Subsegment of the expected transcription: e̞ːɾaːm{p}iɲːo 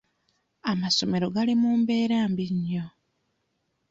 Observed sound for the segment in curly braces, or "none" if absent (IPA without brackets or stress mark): b